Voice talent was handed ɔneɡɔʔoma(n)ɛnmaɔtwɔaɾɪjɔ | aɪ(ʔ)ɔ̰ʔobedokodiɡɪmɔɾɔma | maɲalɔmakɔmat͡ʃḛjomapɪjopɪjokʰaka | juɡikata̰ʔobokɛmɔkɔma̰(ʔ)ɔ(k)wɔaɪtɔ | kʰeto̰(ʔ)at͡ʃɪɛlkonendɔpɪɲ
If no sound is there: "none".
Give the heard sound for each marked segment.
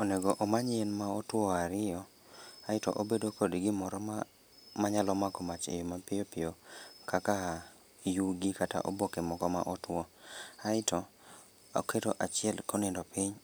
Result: ɲ, t, ʔ, t, ʔ

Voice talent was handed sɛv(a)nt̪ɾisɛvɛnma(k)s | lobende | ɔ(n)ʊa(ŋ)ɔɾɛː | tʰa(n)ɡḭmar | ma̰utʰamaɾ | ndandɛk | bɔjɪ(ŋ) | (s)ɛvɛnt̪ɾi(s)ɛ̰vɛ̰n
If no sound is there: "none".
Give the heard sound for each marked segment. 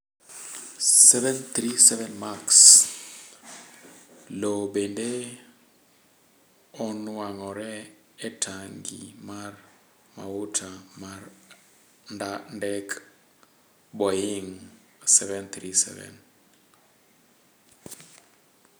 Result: ɛ, k, n, ŋ, ŋ, ŋ, s, s

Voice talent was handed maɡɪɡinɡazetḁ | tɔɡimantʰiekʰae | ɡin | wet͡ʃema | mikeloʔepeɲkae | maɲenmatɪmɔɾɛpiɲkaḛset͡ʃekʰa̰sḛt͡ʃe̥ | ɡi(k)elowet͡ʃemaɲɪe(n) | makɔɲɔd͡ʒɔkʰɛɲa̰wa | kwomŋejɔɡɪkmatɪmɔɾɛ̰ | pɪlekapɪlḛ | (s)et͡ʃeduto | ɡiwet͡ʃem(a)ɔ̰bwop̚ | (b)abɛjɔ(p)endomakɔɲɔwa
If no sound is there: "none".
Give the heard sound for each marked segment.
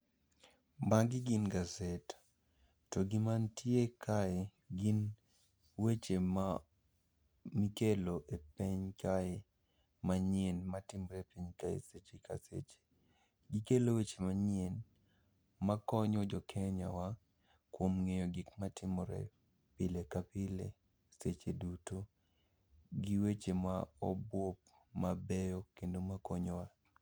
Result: k, n, s, a, m, k

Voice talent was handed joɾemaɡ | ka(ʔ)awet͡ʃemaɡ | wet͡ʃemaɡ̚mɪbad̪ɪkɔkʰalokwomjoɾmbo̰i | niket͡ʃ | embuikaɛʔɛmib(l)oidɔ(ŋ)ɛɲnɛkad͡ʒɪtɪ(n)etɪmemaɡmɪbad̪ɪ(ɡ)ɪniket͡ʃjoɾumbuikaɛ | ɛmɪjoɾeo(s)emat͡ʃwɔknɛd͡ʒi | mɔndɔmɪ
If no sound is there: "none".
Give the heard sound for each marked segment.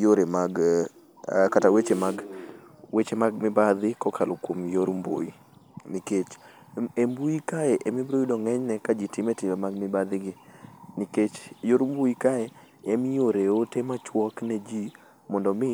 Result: t, ɾ, ŋ, m, ɡ, t

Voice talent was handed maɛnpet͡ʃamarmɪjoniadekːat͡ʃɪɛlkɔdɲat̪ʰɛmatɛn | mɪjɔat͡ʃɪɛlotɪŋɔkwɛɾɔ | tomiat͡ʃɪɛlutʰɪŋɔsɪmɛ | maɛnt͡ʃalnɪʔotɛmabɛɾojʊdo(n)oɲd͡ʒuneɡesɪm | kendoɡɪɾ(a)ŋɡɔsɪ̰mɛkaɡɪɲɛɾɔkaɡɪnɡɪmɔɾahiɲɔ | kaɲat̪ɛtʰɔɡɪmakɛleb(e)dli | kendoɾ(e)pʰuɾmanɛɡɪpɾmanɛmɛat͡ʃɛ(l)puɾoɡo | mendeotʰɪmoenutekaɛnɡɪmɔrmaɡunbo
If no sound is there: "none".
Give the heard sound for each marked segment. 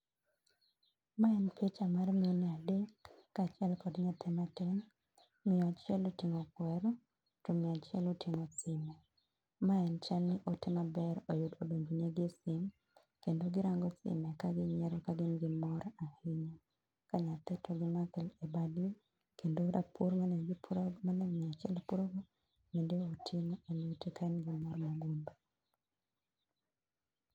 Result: d, a, a, a, l

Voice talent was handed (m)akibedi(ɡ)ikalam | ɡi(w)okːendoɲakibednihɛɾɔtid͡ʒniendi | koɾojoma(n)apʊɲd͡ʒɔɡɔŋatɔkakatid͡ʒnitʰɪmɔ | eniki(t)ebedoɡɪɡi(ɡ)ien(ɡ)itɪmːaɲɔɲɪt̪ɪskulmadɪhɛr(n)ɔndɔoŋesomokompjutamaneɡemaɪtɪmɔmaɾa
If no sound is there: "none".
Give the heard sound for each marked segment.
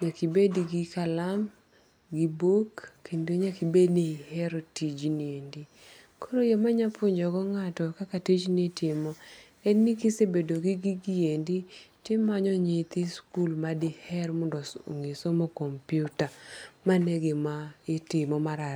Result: ɲ, ɡ, b, ɲ, s, ɡ, d, m

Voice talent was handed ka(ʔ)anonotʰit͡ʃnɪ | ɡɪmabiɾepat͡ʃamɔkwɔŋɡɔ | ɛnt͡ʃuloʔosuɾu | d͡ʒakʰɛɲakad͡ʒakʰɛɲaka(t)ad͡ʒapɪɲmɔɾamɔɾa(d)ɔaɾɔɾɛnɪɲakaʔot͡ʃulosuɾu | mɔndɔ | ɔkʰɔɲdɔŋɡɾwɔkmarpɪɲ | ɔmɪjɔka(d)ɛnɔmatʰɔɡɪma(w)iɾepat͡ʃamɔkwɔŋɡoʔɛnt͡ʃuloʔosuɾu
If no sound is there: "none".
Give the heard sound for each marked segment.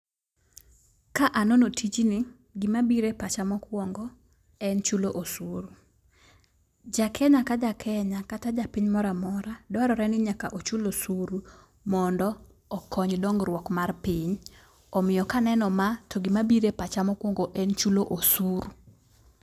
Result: ʔ, t, d, n, b

